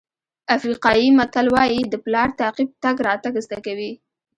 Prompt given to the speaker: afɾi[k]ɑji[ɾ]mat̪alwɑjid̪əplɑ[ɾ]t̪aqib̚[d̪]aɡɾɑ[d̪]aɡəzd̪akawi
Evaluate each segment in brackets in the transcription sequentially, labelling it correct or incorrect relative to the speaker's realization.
incorrect, incorrect, correct, incorrect, incorrect

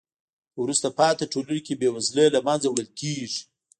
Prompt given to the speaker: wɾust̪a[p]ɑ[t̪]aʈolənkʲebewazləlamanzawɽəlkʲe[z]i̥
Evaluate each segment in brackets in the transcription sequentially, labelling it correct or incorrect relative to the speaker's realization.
correct, correct, incorrect

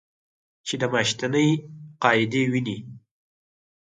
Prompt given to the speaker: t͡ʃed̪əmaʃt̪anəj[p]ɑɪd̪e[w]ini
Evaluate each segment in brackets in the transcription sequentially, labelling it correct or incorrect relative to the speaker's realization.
incorrect, correct

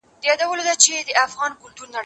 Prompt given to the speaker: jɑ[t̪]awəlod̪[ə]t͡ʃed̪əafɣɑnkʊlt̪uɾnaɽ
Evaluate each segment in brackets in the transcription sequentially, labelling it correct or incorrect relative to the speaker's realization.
incorrect, incorrect

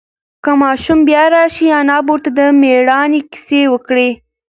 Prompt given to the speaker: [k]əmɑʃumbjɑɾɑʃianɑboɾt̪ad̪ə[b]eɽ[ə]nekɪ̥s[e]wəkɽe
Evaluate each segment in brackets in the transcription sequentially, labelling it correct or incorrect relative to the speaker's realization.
correct, incorrect, incorrect, correct

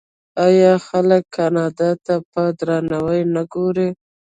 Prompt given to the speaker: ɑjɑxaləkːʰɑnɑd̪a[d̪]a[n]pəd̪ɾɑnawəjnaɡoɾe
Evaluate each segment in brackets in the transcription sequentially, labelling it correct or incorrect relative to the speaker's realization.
incorrect, incorrect

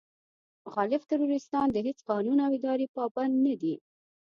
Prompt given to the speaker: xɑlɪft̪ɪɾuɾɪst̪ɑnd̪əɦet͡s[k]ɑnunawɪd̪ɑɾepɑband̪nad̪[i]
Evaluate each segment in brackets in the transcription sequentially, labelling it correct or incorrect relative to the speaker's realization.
incorrect, correct

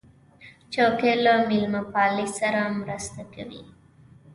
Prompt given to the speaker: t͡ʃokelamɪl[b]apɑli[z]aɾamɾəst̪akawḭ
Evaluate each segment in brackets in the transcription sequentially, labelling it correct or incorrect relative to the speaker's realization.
incorrect, incorrect

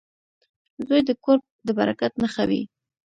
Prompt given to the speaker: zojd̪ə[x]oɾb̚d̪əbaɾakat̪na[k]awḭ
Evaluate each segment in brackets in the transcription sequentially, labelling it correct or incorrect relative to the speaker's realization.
incorrect, incorrect

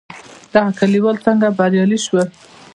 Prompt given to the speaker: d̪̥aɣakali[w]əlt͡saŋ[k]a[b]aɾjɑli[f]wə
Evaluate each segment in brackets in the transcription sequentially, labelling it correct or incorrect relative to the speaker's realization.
correct, incorrect, correct, incorrect

